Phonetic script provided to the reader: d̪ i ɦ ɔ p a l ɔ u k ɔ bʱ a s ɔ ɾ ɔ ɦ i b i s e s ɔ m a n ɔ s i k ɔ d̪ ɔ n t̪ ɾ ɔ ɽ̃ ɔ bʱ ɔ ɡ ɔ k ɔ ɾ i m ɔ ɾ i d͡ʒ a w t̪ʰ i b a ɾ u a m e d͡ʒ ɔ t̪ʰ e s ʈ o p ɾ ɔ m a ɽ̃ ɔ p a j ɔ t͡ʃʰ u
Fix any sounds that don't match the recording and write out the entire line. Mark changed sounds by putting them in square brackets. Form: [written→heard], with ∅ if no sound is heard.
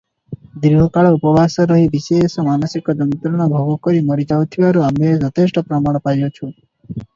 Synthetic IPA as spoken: d̪ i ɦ ɔ [p→k] a [l→ɭ] ɔ u [k→p] ɔ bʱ a s ɔ ɾ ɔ ɦ i b i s e s ɔ m a n ɔ s i k ɔ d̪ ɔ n t̪ ɾ ɔ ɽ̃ ɔ bʱ ɔ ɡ ɔ k ɔ ɾ i m ɔ ɾ i d͡ʒ a w t̪ʰ i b a ɾ u a m e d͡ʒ ɔ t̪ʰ e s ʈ [o→ɔ] p ɾ ɔ m a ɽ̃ ɔ p a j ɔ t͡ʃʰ u